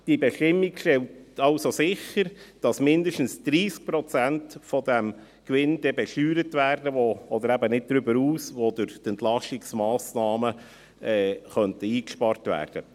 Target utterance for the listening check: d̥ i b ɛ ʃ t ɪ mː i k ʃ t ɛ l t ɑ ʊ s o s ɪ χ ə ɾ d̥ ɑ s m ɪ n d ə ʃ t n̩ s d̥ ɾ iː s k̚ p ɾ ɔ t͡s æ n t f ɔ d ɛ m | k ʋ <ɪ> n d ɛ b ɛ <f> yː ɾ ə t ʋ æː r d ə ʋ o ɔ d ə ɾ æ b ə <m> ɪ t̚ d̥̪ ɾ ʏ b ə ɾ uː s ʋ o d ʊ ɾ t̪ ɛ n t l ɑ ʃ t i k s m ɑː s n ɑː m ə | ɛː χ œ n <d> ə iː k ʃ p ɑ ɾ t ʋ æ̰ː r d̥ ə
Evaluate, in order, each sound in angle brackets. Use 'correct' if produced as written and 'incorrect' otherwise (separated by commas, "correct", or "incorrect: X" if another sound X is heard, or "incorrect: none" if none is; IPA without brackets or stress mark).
correct, incorrect: ʃ, incorrect: n, incorrect: t